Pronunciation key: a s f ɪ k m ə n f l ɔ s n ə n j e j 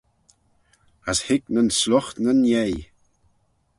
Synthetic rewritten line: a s h ɪ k n ə n s l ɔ x n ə n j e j